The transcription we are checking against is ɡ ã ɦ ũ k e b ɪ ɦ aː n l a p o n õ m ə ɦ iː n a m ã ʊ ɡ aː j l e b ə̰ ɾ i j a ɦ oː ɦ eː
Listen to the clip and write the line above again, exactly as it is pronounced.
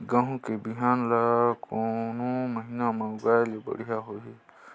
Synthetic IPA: ɡ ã ɦ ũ k e b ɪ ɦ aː n l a k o n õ m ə ɦ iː n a m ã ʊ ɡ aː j l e b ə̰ ɽ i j a ɦ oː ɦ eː